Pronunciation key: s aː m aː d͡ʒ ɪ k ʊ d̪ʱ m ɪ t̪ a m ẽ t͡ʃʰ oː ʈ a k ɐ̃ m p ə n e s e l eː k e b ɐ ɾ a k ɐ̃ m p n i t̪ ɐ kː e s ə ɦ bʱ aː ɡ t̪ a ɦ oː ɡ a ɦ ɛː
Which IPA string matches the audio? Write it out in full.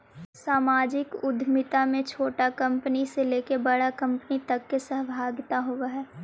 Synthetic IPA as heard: s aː m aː d͡ʒ ɪ k ʊ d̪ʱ m ɪ t̪ a m ẽ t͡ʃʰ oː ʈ a k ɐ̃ m p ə n i s e l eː k e b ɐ ɽ a k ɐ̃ m p n i t̪ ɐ kː e s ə ɦ bʱ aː ɡ t̪ a ɦ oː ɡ a ɦ ɛː